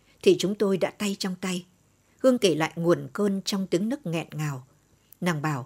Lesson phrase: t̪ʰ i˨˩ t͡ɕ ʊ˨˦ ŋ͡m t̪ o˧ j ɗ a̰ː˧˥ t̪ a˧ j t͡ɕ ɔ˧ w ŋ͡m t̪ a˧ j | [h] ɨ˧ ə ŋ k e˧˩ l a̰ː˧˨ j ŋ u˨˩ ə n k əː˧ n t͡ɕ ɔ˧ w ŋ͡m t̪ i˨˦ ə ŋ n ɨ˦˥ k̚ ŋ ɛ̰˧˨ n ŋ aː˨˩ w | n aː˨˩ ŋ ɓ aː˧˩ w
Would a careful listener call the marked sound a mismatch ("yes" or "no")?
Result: no